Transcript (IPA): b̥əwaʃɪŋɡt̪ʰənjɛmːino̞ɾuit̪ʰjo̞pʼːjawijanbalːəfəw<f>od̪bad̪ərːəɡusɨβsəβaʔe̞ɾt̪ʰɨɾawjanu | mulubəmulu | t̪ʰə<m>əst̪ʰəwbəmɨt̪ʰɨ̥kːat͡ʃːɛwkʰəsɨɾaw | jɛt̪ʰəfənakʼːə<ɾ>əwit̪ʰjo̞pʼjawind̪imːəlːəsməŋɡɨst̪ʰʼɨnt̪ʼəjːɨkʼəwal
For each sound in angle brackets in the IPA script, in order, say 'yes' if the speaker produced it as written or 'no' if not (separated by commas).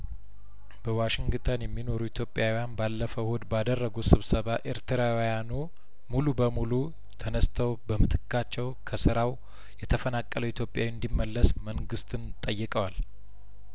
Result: no, no, no